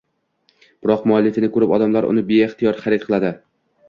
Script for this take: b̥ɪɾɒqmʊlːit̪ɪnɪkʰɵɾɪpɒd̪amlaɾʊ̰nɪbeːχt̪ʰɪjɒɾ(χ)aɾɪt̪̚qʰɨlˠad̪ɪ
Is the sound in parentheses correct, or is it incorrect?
correct